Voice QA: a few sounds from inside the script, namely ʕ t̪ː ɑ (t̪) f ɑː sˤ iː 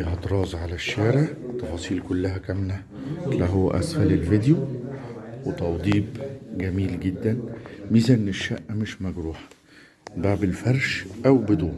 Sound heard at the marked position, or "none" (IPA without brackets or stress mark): none